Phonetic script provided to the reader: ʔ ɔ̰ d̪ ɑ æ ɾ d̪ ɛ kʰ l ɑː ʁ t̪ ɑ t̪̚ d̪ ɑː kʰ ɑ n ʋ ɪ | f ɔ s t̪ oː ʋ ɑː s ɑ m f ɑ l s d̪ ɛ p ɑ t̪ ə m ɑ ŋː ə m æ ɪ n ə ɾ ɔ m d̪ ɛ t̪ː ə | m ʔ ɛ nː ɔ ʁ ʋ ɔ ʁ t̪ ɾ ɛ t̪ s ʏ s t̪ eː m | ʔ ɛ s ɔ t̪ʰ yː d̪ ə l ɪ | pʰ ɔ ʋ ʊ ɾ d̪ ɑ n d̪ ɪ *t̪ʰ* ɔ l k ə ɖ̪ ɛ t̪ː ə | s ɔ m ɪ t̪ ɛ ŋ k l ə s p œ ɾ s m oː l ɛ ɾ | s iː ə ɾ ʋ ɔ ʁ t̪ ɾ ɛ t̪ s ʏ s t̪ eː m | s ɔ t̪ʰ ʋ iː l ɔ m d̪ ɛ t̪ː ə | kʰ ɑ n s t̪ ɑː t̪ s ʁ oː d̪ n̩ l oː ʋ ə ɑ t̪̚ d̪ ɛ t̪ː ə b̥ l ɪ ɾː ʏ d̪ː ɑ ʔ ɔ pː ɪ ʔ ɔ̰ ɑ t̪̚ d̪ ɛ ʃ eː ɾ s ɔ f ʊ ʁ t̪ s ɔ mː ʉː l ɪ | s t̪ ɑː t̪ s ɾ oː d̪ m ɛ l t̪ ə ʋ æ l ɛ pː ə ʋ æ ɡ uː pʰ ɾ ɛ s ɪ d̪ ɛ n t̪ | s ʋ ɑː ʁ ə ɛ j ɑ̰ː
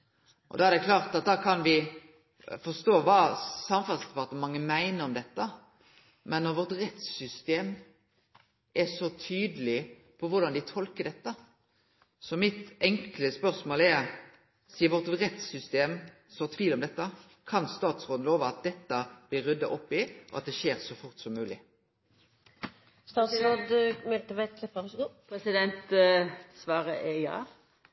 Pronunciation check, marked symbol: correct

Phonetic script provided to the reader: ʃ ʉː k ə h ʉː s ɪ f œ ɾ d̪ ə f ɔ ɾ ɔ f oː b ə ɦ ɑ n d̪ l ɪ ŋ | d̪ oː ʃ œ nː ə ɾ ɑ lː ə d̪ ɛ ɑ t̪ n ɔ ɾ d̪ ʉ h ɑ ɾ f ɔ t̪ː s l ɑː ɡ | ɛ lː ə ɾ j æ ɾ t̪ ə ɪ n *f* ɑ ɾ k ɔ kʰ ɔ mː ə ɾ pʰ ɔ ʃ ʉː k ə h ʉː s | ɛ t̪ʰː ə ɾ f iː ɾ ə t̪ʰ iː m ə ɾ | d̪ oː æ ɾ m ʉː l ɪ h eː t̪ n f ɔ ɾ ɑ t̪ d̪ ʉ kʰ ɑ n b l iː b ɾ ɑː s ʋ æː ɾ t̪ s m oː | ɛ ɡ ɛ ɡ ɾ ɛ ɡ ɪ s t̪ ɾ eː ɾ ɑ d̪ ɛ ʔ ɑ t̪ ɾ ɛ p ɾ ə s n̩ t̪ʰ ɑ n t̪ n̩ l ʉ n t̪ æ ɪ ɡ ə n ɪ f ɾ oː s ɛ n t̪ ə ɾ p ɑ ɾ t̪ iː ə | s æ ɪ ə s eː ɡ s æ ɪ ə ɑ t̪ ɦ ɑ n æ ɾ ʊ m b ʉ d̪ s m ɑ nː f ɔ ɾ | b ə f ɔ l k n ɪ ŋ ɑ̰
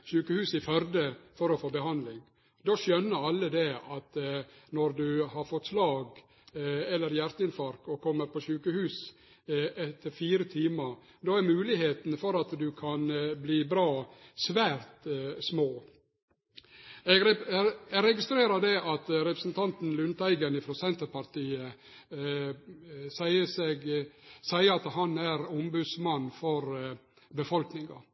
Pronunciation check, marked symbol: correct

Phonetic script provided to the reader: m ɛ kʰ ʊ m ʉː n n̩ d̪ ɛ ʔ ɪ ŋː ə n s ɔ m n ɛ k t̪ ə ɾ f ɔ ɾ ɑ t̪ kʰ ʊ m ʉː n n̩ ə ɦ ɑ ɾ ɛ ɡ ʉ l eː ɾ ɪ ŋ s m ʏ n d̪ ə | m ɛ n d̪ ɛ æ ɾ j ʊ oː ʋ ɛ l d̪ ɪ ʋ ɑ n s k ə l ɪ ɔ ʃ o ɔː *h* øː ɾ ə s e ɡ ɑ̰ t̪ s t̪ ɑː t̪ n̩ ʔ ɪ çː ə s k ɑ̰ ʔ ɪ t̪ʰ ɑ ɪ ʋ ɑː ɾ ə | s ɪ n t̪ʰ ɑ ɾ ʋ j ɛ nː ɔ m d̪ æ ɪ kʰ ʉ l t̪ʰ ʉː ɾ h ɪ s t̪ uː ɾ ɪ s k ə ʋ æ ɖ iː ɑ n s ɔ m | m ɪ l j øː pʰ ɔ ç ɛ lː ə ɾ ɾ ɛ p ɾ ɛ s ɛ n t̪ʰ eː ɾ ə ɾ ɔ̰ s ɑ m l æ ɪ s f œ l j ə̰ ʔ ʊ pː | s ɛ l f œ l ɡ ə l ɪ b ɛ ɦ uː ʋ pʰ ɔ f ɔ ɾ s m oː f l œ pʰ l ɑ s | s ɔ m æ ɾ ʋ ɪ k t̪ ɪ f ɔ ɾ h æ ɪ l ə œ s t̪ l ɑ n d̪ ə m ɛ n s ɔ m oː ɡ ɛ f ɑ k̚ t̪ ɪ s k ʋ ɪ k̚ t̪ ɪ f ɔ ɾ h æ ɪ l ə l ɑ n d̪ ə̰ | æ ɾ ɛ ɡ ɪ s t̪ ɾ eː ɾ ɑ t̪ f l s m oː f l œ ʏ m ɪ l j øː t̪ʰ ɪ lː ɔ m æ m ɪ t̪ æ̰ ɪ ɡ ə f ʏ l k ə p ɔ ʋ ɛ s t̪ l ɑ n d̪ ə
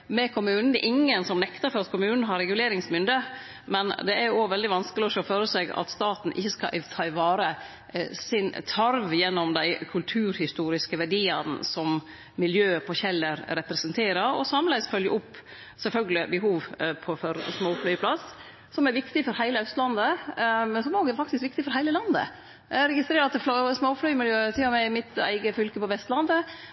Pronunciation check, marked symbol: incorrect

